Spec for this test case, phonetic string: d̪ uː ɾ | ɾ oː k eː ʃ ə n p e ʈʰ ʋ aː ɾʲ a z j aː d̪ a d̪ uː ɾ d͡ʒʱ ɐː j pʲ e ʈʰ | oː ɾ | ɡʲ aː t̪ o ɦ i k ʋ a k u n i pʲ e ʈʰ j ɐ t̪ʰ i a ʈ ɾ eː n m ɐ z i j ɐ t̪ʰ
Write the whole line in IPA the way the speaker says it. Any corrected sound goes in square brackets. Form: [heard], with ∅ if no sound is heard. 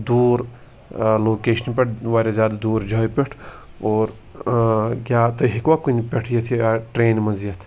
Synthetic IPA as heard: d̪ uː ɾ | [l] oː k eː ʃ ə n p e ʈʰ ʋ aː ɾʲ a z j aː d̪ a d̪ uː ɾ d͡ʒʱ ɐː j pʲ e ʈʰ | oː ɾ | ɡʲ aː t̪ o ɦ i k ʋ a k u n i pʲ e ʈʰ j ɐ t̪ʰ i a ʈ ɾ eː n m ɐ z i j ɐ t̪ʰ